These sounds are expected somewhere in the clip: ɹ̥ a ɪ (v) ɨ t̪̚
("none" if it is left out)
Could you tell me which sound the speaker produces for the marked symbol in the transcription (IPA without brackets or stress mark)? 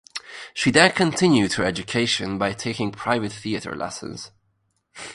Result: v